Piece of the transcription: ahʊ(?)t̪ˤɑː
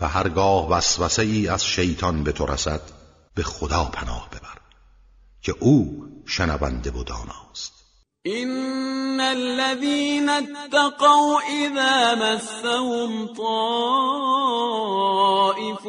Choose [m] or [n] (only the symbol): m